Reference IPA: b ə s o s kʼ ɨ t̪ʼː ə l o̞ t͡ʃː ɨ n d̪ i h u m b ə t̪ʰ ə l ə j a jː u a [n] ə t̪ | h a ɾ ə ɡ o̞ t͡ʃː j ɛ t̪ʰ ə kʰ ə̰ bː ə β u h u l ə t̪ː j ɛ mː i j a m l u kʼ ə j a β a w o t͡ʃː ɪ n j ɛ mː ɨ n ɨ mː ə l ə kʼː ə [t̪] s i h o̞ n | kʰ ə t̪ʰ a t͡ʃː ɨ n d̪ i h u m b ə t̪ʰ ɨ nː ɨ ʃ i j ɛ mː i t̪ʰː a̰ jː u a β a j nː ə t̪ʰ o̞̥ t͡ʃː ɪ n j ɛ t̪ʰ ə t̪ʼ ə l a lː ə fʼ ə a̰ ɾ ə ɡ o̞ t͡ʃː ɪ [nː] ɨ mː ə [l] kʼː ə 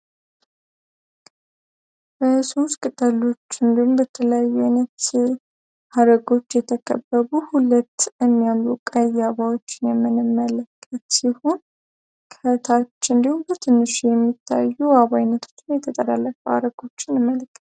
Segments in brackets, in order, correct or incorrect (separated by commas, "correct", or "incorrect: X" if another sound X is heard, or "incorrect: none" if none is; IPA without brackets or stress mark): correct, correct, incorrect: n, correct